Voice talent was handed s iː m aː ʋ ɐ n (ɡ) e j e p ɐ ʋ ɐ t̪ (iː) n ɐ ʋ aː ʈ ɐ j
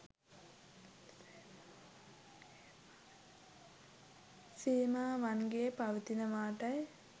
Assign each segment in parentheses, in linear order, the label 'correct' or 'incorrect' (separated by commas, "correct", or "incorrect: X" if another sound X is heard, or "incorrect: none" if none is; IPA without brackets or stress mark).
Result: correct, incorrect: i